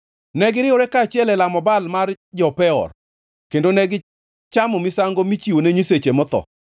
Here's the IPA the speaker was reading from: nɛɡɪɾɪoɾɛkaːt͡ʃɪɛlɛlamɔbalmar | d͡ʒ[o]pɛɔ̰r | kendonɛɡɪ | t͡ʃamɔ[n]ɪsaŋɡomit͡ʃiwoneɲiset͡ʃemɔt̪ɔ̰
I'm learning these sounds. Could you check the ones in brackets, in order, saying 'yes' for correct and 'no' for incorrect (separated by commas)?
no, no